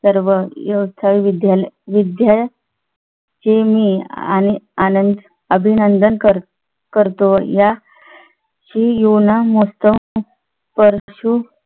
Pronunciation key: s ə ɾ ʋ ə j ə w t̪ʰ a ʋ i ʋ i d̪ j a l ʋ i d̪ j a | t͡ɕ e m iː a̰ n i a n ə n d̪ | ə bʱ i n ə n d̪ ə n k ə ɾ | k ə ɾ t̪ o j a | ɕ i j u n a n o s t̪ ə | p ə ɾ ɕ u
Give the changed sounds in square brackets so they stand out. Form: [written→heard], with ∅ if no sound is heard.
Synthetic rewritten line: s ə ɾ ʋ ə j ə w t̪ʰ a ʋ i ʋ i d̪ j a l ʋ i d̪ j a | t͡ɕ e m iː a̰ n i a n ə n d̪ | ə bʱ i n ə n d̪ ə n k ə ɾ | k ə ɾ t̪ o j a | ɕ i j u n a [n→m] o s t̪ ə | p ə ɾ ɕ u